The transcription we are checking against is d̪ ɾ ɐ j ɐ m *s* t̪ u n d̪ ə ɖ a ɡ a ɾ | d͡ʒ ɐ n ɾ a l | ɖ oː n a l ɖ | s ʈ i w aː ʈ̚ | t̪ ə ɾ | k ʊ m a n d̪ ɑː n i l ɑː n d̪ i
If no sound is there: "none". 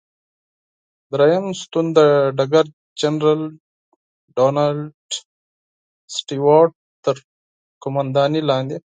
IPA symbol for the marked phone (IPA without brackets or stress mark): s